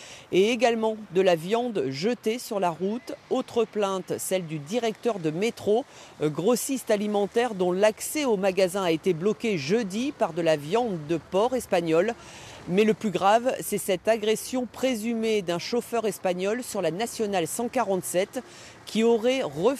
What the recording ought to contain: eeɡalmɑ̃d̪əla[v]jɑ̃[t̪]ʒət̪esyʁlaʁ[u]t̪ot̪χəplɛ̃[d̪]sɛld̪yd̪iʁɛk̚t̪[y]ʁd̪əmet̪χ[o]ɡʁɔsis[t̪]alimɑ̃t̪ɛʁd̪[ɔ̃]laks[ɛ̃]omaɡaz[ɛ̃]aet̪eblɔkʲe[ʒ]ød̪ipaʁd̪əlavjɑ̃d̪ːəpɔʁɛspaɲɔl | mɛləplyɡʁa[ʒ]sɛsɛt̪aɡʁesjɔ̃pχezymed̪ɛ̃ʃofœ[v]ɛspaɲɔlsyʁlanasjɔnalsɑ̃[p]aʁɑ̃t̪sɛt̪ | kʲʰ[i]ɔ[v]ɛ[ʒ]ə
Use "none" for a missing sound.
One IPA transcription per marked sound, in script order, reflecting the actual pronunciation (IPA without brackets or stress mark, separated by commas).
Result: v, d̪, u, t̪, œ, o, t̪, ɔ̃, ɛ, ɛ̃, ʒ, v, ʁ, k, i, ʁ, ʁ